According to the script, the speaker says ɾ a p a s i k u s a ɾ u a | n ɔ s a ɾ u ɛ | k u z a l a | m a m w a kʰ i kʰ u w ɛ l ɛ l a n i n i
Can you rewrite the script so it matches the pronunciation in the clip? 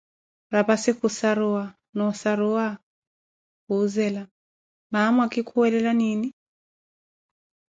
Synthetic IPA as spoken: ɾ a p a s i k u s a ɾ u a | n ɔ s a ɾ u a | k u z ɛ l a | m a m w a k i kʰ u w ɛ l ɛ l a n i n i